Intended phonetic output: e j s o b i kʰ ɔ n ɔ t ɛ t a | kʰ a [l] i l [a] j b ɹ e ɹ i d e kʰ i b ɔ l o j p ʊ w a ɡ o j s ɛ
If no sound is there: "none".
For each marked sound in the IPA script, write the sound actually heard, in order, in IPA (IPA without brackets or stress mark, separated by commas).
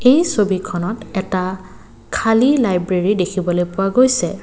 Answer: l, a